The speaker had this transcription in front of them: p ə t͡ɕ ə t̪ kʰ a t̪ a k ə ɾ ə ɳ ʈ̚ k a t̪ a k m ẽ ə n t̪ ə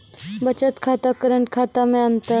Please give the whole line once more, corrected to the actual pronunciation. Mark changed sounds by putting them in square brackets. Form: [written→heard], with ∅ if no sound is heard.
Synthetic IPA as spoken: [p→b] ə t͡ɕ ə t̪ kʰ a t̪ a k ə ɾ ə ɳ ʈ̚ [k→kʰ] a t̪ a [k→∅] m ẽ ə n t̪ ə